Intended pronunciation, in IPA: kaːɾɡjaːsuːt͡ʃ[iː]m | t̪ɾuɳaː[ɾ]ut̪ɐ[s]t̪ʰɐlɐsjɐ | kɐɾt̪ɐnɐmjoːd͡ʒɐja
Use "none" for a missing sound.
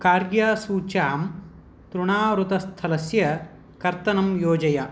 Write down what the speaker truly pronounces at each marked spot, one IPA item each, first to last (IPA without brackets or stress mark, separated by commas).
aː, ɾ, s